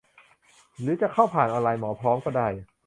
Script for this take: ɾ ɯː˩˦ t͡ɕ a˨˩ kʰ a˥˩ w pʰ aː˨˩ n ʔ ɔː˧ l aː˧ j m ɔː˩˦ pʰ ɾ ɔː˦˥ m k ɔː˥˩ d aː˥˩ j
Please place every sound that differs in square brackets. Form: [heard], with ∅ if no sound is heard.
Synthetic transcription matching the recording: ɾ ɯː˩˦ t͡ɕ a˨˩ kʰ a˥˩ w pʰ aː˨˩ n ʔ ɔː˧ l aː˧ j m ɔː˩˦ pʰ ɾ ɔː˦˥ m k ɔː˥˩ d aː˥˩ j